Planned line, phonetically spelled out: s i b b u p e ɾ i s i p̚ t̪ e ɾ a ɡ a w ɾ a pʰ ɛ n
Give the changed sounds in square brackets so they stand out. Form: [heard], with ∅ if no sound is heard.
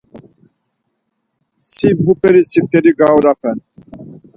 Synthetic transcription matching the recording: s i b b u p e ɾ i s i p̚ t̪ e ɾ [i] ɡ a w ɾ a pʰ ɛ n